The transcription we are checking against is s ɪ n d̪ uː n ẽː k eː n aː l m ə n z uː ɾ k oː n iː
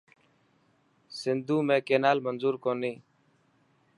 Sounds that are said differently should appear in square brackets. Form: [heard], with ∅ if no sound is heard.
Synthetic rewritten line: s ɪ n d̪ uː [m] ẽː k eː n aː l m ə n z uː ɾ k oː n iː